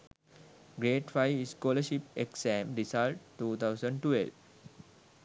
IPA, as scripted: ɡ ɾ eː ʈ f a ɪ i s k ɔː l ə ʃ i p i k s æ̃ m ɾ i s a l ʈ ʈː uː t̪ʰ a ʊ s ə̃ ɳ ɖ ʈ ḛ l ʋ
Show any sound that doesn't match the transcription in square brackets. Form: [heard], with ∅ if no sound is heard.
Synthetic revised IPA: ɡ ɾ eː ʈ f a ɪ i s k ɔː l ə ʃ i p [e] k s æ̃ m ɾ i s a l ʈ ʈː uː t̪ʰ a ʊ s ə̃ ɳ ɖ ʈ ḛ l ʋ